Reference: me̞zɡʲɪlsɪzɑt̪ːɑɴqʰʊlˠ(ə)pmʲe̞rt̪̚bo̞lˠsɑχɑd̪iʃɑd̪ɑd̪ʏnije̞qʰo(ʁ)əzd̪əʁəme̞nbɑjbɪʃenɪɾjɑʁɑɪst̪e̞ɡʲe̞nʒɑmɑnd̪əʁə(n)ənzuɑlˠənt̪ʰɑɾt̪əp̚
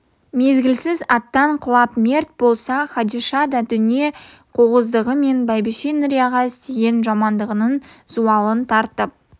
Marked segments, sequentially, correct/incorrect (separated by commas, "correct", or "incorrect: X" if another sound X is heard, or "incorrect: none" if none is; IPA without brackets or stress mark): incorrect: ɑ, correct, correct